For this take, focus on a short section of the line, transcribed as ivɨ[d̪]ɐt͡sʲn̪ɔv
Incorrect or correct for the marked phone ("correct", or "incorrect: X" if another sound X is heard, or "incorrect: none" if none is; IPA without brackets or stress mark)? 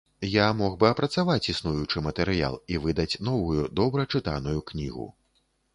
correct